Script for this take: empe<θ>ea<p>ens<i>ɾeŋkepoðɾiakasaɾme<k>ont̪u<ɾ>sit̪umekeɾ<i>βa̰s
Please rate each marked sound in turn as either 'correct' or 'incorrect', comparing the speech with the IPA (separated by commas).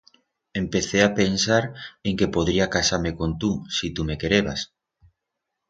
correct, correct, incorrect, correct, incorrect, incorrect